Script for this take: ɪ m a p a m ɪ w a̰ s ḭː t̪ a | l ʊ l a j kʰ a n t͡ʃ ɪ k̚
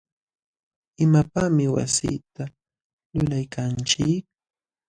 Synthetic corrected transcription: ɪ m a p a m ɪ w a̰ s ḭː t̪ a | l ʊ l a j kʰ a n t͡ʃ ɪ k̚